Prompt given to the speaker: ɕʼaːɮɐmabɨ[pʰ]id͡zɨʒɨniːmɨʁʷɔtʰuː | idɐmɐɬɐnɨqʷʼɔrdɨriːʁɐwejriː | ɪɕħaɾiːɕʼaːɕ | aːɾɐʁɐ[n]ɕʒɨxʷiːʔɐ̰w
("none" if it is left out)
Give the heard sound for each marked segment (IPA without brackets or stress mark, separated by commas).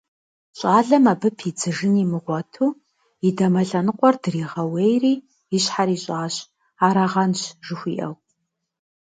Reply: pʰ, n